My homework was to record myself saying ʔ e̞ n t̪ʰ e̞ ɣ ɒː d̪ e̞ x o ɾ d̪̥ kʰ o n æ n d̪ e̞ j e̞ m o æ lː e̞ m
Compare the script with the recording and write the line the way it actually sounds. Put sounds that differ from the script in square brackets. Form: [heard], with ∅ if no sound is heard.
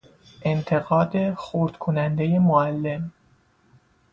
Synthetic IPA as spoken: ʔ e̞ n t̪ʰ e̞ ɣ ɒː d̪ e̞ x o ɾ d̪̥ kʰ o n æ n d̪ e̞ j e̞ m o æ lː e̞ m